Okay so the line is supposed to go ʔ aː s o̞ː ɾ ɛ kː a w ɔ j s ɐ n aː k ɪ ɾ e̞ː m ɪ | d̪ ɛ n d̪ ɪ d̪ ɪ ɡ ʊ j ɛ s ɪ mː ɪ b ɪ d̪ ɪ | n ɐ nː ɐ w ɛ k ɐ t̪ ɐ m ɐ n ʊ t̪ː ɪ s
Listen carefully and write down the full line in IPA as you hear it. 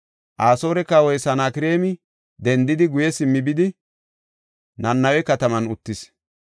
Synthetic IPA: ʔ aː s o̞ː ɾ ɛ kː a w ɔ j s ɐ n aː k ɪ ɾ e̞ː m ɪ | d̪ ɛ n d̪ ɪ d̪ ɪ ɡ ʊ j ɛ s ɪ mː ɪ b ɪ d̪ ɪ | n ɐ nː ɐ w ɛ k ɐ t̪ ɐ m ɐ n ʊ t̪ː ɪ s